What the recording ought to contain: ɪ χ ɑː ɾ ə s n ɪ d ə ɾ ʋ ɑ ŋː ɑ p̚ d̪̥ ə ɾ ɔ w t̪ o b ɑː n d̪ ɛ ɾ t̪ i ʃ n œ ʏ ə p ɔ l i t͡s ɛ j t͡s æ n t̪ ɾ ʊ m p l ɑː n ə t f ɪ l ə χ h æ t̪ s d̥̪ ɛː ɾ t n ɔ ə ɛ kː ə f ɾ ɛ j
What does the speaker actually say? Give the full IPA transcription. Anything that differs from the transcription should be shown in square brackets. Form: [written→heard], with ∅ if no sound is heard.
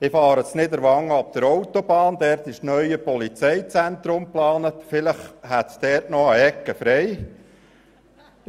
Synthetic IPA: ɪ [χ→f] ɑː ɾ ə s n ɪ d ə ɾ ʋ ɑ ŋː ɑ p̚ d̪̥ ə ɾ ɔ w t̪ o b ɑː n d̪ ɛ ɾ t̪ [i→ɪ] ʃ n œ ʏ ə p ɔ l i t͡s ɛ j t͡s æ n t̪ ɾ ʊ m p l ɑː n ə t f ɪ l ə χ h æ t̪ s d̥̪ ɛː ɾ t n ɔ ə ɛ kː ə f ɾ ɛ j